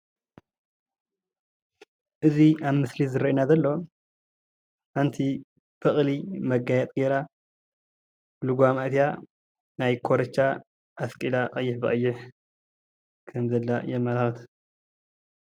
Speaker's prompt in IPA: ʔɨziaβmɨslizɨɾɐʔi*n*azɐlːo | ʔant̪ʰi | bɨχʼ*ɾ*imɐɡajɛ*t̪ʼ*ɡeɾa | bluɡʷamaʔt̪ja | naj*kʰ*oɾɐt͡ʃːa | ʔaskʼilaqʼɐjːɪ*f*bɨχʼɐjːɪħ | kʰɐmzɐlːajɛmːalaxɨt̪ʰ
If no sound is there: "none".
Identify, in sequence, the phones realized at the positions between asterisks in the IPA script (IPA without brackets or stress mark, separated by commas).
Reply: n, l, t̪ʼ, kʰ, ħ